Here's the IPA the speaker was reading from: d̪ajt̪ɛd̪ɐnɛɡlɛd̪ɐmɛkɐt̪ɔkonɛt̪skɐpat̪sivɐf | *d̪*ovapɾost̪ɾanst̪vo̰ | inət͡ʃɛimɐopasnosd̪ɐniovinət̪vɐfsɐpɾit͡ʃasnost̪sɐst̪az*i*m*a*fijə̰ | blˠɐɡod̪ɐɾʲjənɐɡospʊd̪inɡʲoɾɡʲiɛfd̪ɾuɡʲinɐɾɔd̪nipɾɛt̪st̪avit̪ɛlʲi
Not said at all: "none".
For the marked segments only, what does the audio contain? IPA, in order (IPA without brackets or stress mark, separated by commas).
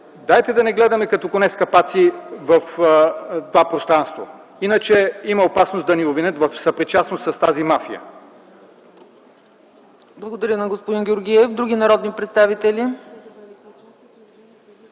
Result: t̪, i, a